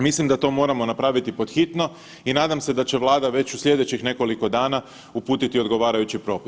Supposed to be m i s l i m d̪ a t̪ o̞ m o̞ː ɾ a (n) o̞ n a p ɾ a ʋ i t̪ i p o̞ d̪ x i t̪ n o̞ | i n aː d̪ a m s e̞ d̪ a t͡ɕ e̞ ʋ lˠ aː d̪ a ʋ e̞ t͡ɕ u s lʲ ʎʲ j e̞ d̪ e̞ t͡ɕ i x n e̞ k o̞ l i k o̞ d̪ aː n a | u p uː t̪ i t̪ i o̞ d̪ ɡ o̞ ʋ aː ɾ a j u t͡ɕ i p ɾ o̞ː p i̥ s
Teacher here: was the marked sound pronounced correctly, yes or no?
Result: no